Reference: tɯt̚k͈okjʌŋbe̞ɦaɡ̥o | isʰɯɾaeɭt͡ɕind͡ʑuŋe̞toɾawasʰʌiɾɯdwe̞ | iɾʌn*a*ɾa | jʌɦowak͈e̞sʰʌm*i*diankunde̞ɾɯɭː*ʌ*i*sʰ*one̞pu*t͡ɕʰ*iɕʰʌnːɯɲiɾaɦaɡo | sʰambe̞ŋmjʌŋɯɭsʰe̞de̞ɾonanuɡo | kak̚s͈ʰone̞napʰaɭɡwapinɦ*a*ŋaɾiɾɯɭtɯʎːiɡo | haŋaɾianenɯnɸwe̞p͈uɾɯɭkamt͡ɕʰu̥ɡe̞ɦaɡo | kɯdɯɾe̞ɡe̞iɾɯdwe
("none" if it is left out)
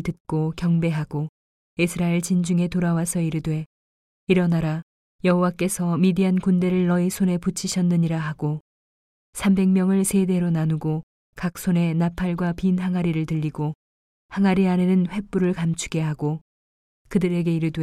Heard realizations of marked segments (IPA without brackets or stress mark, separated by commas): a, i, ʌ, sʰ, t͡ɕʰ, a